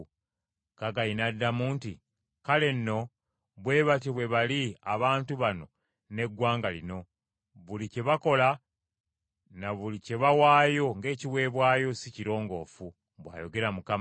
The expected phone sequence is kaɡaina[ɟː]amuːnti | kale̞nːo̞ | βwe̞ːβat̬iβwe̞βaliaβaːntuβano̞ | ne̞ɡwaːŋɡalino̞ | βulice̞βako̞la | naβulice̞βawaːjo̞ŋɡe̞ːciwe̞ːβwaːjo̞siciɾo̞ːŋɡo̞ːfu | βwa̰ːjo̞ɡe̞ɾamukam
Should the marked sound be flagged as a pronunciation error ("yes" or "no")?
yes